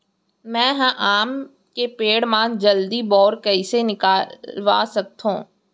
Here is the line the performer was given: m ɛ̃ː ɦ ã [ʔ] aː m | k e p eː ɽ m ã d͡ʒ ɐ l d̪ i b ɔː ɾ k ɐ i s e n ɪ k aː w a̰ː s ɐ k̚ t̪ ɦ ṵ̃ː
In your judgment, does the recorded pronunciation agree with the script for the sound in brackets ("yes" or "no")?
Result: yes